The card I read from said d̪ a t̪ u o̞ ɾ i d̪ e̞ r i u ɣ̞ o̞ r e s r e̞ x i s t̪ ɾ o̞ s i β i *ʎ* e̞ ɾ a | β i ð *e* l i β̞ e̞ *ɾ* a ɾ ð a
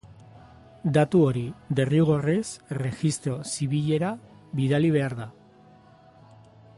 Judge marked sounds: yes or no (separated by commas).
yes, no, no